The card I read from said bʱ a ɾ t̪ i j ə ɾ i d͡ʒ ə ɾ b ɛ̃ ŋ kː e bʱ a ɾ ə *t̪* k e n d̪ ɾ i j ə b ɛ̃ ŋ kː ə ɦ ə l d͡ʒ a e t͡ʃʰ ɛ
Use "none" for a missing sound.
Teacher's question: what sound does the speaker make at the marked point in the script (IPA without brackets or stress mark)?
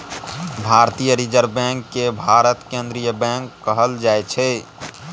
t̪